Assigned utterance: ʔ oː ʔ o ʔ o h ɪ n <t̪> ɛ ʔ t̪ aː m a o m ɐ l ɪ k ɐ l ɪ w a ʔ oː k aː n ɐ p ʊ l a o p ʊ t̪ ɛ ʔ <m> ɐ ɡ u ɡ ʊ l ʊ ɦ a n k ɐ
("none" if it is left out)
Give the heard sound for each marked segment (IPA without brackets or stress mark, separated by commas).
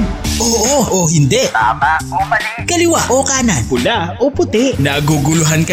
d̪, n